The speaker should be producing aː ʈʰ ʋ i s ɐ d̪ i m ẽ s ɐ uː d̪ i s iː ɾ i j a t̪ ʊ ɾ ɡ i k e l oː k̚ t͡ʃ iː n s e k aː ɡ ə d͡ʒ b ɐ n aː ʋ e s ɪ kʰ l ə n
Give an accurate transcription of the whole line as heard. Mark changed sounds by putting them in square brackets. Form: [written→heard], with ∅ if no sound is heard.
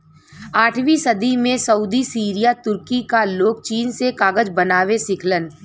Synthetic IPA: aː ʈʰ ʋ i s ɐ d̪ i m ẽ s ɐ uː d̪ i s iː ɾ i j a t̪ ʊ ɾ [ɡ→k] i k [e→a] l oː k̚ t͡ʃ iː n s e k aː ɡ ə d͡ʒ b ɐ n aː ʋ e s ɪ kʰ l ə n